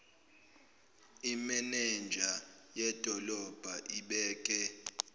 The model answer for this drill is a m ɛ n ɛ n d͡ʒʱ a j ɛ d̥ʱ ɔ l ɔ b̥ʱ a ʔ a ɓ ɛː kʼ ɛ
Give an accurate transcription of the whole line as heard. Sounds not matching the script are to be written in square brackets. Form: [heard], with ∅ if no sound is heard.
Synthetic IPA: [i] m ɛ n ɛ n d͡ʒʱ a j ɛ d̥ʱ ɔ l ɔ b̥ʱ a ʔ [i] ɓ ɛː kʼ ɛ